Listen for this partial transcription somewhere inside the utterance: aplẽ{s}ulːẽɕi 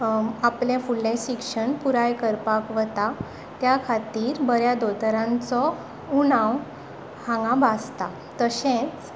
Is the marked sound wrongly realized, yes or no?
yes